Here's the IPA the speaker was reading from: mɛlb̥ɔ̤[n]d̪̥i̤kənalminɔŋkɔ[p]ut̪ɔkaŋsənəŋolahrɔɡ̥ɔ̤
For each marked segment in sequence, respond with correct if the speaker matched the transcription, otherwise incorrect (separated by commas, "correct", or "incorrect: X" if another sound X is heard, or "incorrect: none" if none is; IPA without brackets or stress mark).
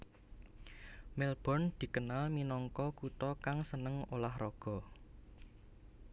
correct, incorrect: k